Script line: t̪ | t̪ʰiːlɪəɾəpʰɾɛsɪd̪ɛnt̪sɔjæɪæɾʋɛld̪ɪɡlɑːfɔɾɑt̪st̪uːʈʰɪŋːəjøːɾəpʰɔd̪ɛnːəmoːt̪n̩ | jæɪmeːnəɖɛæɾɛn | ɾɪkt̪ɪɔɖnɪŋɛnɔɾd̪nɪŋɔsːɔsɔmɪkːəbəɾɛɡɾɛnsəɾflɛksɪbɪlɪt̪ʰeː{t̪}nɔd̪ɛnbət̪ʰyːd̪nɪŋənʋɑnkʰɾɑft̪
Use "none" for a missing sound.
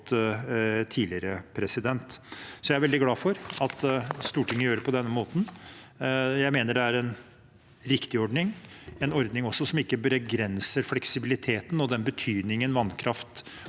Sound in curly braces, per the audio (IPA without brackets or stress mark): t̪